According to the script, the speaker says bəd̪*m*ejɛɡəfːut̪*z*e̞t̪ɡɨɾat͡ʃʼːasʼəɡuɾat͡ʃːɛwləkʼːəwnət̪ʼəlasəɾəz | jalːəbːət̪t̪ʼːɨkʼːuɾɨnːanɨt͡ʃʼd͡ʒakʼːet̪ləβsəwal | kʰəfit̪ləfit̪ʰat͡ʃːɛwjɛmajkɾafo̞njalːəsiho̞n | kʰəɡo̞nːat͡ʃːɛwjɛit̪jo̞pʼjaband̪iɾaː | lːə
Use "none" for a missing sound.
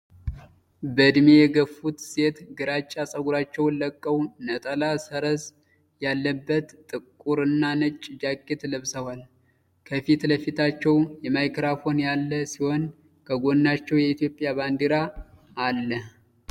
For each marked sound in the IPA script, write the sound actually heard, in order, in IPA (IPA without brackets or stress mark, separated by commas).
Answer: m, s